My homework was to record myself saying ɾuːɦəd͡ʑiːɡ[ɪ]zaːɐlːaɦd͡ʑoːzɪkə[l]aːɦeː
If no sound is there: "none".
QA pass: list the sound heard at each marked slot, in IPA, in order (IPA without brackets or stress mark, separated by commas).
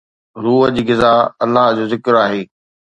ɪ, ɾ